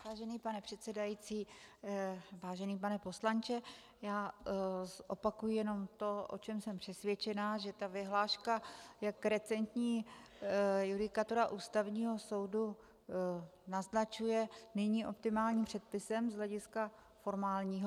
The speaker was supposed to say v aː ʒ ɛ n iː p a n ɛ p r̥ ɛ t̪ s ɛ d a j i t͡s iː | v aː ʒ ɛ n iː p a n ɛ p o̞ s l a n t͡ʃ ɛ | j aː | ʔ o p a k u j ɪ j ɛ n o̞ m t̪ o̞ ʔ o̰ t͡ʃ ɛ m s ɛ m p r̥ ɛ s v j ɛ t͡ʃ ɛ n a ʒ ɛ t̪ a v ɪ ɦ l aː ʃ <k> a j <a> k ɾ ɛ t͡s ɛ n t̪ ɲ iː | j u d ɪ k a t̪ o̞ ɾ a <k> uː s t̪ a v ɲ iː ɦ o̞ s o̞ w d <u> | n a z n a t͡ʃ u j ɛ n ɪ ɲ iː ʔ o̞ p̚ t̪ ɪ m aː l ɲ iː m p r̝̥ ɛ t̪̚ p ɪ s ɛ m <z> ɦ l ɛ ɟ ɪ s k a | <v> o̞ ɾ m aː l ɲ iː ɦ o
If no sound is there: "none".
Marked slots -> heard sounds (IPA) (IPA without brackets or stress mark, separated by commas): k, a, ʔ, u, z, f